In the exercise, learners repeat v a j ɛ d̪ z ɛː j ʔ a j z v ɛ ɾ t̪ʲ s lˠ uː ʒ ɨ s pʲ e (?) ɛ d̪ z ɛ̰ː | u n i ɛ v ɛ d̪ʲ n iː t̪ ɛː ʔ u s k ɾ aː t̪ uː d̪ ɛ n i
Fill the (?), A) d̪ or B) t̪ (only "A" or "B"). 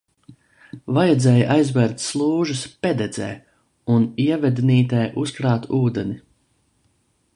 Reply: A